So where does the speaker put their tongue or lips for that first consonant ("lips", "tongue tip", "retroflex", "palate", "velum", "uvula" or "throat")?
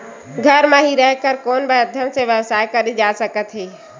velum